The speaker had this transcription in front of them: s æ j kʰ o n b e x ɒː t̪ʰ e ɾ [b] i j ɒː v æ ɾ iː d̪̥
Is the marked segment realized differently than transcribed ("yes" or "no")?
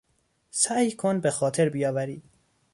no